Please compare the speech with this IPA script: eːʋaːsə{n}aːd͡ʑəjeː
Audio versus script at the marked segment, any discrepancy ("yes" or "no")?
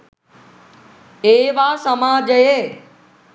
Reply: yes